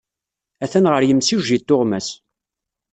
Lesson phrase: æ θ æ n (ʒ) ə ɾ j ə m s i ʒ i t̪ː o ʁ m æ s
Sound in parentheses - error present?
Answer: yes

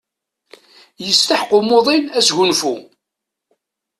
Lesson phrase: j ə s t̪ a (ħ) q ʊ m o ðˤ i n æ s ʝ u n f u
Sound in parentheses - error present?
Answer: no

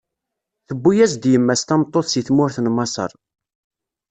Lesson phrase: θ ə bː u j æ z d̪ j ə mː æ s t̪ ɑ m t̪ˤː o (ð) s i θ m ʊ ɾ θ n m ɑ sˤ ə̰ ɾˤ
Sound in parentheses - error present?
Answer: yes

